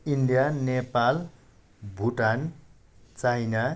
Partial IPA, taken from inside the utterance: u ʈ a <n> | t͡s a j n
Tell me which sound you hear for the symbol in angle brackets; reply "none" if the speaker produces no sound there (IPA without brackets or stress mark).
n